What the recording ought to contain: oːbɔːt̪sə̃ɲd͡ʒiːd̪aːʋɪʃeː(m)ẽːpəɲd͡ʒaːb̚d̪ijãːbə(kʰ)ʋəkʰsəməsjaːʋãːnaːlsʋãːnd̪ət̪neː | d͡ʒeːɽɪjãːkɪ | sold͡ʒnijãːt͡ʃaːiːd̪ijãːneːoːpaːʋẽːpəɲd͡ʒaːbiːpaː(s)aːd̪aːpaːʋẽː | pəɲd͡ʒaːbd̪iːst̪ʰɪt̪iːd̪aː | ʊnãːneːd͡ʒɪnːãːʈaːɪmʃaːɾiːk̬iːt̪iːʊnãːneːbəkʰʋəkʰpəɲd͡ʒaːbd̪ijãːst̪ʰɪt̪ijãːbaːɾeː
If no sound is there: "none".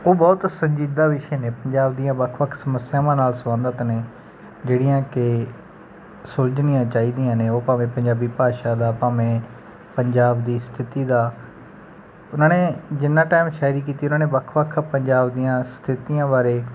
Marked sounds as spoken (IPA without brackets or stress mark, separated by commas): n, kʰ, ʃ